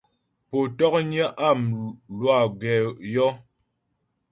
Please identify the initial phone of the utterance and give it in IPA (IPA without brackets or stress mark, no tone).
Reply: p